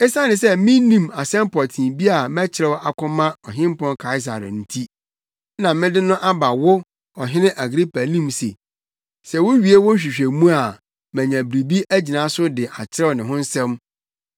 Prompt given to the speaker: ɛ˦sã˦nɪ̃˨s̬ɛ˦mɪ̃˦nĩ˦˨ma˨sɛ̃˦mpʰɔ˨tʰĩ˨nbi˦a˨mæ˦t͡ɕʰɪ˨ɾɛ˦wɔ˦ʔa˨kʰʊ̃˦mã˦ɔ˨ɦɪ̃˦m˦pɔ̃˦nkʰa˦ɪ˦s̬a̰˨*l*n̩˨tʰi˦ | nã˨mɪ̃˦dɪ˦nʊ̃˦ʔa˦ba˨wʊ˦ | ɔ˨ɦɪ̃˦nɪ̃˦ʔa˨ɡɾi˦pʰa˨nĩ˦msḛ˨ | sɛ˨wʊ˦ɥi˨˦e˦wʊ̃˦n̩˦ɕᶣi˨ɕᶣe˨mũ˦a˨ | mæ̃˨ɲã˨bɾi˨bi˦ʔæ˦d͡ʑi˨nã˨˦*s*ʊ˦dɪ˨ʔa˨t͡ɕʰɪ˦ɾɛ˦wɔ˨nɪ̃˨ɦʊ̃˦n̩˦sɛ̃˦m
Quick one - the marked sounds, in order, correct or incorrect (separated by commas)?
incorrect, correct